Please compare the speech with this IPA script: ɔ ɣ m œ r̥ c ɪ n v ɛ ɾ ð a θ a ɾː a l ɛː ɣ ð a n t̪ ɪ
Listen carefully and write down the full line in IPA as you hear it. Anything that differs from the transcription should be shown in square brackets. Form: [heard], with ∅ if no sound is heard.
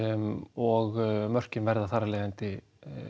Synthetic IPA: ɔ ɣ m œ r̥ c ɪ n v ɛ ɾ ð a θ a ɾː a l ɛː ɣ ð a n t̪ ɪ